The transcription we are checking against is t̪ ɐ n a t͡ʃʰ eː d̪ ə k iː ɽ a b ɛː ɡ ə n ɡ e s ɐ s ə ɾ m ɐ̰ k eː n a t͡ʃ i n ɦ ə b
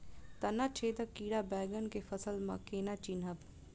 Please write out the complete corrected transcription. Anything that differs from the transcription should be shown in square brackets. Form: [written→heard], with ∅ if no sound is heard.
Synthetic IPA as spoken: t̪ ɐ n a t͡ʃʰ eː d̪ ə k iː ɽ a b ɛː ɡ ə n [ɡ→k] e [s→f] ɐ s ə [ɾ→l] m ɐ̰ k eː n a t͡ʃ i n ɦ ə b